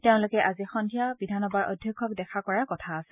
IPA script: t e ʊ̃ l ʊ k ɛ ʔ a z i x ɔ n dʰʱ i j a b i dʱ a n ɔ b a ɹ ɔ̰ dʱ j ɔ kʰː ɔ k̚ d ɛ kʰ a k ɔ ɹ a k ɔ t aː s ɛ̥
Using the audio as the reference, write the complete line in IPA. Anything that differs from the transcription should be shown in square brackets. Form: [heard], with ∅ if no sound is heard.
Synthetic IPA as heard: t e ʊ̃ l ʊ k ɛ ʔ a z i x ɔ n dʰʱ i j a b i dʱ a n ɔ b a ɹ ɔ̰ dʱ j ɔ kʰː ɔ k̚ d ɛ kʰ a k ɔ ɹ a k ɔ [tʰ] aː s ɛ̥